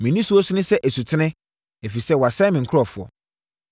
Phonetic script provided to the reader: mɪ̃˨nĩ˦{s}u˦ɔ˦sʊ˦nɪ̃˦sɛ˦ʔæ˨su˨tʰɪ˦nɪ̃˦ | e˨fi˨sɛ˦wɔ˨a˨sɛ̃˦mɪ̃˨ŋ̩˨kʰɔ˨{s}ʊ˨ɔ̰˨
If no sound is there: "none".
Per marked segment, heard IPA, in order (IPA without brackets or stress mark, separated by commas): s, f